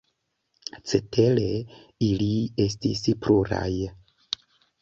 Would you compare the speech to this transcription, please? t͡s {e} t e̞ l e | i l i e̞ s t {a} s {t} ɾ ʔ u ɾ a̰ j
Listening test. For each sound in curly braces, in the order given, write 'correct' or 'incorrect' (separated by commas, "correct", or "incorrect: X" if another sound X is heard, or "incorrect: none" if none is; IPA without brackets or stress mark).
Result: correct, incorrect: i, incorrect: p